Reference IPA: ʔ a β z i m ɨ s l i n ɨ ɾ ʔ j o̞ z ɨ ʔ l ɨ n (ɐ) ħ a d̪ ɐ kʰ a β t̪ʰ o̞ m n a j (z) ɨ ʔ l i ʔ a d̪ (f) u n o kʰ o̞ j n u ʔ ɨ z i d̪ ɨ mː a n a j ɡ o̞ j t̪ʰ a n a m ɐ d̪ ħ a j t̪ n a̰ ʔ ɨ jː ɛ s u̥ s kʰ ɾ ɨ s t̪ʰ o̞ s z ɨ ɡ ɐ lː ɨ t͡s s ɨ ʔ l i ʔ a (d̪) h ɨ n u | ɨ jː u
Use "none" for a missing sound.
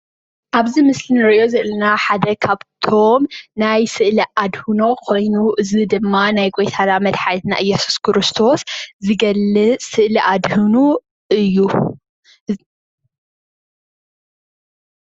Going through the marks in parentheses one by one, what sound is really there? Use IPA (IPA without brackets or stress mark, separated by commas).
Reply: a, s, h, d̪